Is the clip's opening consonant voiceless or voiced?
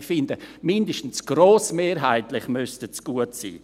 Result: voiceless